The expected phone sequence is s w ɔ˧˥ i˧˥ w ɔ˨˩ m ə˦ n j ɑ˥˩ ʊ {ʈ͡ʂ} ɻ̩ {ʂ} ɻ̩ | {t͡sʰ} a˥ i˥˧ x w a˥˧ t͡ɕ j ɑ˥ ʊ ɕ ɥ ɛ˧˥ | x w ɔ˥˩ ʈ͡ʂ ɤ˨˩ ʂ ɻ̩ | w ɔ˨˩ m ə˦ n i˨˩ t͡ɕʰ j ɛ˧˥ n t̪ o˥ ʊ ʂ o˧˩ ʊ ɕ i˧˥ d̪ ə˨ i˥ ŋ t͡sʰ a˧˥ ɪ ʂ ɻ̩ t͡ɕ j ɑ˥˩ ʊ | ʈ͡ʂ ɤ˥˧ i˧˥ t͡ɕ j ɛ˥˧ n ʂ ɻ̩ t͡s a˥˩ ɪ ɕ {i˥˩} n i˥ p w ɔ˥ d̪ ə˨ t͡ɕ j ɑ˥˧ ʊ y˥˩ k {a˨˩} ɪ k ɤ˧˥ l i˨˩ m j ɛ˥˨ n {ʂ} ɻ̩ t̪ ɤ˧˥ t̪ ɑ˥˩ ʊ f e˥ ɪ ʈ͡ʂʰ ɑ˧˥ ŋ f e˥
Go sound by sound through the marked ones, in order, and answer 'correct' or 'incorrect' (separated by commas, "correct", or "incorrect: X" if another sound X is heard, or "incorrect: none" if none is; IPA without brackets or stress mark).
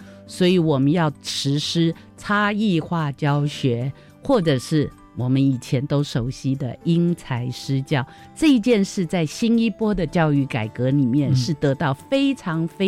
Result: incorrect: ʈ͡ʂʰ, correct, correct, incorrect: i˥, correct, correct